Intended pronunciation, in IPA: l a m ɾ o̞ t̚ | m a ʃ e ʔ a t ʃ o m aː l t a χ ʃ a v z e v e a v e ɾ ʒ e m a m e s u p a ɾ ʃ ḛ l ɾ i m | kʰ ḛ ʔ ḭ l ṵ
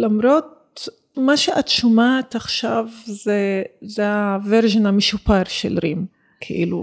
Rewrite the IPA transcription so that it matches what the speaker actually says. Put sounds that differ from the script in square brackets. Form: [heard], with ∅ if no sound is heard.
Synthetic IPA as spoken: l a m ɾ o̞ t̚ | m a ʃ e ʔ a t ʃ o m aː [∅] t a χ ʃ a v z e [z] e a v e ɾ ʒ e [n] a m e [ʃ] u p a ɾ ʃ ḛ l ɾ i m | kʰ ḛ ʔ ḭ l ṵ